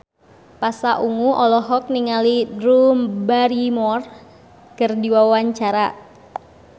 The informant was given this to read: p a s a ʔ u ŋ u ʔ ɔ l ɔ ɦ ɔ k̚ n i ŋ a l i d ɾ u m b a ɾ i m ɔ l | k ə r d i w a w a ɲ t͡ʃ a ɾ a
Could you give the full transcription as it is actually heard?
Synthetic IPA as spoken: p a s a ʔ u ŋ u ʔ ɔ l ɔ ɦ ɔ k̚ n i ŋ a l i d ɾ u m b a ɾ i m ɔ r | k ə r d i w a w a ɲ t͡ʃ a ɾ a